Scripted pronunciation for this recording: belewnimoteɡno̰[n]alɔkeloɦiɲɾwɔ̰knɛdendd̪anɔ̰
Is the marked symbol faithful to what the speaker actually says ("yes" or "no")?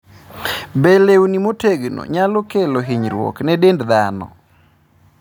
no